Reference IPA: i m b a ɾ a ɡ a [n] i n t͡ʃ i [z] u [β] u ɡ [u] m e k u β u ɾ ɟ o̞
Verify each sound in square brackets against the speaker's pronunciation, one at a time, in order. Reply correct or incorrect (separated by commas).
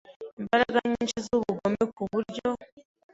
incorrect, correct, correct, incorrect